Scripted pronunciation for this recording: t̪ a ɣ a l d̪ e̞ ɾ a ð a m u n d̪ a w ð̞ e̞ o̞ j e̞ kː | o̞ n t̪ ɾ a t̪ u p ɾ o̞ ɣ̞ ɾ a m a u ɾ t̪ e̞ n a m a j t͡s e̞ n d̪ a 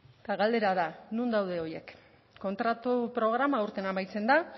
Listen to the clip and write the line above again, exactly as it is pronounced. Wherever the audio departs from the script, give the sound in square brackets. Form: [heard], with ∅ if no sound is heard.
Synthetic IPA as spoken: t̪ a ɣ a l d̪ e̞ ɾ a ð a [n] u n d̪ a w ð̞ e̞ o̞ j e̞ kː | o̞ n t̪ ɾ a t̪ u p ɾ o̞ ɣ̞ ɾ a m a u ɾ t̪ e̞ n a m a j t͡s e̞ n d̪ a